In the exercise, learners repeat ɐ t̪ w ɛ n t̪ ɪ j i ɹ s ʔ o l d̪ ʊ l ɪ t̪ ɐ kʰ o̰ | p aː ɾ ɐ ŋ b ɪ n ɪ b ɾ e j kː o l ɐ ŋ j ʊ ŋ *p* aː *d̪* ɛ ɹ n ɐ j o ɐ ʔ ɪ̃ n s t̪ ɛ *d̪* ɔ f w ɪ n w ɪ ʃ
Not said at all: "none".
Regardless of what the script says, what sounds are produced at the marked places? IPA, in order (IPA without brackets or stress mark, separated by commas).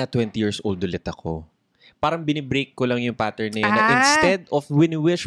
p, t̪, d̪